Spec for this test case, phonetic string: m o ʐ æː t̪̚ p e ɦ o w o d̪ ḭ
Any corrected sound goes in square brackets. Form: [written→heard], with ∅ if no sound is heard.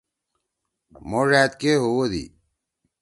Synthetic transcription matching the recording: m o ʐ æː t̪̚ [p→k] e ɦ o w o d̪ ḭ